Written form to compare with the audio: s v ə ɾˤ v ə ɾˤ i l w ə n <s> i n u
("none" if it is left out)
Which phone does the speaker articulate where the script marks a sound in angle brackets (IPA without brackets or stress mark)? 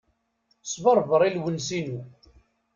s